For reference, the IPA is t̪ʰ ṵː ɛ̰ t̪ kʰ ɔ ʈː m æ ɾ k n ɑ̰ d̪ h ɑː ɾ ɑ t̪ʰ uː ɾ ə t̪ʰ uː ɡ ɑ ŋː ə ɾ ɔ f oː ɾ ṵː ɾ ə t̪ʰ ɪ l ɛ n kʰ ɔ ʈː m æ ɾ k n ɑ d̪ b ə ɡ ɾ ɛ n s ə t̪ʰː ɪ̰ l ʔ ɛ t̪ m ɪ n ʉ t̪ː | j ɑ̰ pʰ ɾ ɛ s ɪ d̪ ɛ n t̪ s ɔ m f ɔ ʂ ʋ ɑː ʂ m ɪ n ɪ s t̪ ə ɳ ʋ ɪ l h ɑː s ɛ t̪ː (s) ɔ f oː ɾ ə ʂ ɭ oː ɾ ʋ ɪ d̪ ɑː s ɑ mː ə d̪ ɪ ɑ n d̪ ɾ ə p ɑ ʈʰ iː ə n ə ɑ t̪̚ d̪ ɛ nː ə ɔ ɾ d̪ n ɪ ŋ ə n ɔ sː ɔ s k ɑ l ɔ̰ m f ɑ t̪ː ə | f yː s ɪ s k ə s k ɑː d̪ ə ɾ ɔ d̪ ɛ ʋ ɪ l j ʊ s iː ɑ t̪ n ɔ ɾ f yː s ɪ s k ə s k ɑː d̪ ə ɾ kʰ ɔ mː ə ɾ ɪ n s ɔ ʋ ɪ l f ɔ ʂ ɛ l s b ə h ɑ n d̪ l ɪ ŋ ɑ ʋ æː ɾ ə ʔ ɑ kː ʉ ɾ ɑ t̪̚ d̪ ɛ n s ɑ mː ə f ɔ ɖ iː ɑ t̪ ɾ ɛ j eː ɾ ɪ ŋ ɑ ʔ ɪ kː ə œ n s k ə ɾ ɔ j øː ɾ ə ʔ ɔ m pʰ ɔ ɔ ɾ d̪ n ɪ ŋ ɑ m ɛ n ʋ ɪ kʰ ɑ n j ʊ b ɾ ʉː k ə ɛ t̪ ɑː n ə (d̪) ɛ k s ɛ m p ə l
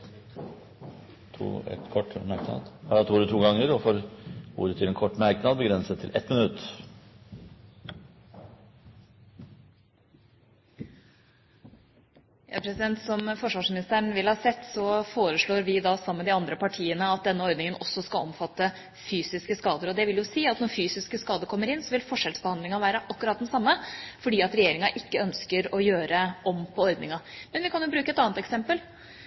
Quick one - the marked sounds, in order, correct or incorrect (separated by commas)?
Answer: correct, incorrect